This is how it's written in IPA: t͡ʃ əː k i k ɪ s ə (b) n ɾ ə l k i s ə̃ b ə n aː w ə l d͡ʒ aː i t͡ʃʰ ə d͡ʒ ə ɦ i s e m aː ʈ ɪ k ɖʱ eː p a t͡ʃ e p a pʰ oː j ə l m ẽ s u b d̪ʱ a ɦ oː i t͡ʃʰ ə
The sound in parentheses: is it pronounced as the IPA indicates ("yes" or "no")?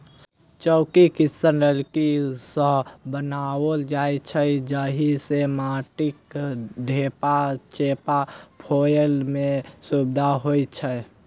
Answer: no